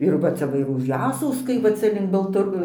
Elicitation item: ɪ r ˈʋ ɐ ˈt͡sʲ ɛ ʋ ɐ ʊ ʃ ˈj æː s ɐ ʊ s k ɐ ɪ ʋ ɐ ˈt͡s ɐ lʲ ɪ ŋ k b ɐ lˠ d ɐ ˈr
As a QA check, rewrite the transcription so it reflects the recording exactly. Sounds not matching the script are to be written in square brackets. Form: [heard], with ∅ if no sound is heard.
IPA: ɪ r ˈʋ ɐ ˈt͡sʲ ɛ ʋ ɐ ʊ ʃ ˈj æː s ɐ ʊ s k ɐ ɪ ʋ ɐ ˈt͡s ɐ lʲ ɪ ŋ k b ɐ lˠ [t] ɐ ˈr